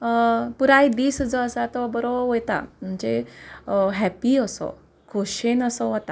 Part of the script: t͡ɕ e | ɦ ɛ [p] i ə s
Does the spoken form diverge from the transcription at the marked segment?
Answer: no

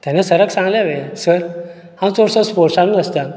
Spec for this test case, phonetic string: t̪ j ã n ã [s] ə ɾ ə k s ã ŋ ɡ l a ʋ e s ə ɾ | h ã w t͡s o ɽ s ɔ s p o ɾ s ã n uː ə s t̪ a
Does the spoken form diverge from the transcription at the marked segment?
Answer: no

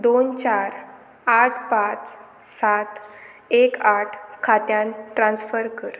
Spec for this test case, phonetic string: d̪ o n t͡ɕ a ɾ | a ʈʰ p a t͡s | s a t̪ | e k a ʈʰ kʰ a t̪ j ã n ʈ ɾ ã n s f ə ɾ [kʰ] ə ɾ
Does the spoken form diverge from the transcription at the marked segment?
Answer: yes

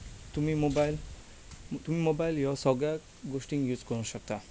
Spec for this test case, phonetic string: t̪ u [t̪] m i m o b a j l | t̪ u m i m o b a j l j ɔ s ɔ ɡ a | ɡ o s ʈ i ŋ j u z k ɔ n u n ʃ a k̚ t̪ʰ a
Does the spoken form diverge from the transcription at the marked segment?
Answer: yes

